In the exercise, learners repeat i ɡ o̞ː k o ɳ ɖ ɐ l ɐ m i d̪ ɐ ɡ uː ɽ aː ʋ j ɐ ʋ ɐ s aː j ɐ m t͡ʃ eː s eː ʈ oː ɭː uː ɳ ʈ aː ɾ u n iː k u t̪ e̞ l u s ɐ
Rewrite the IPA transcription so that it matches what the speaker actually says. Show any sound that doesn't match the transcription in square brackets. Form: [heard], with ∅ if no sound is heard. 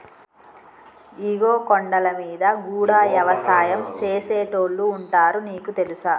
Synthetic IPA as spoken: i ɡ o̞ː k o ɳ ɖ ɐ l ɐ m [iː] d̪ ɐ ɡ uː ɽ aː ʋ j ɐ ʋ ɐ s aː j ɐ m t͡ʃ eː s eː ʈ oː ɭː uː ɳ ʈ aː ɾ u n iː k u t̪ e̞ l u s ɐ